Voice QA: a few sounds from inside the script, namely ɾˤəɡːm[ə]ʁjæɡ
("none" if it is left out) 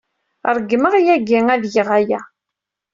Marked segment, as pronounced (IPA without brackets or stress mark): ə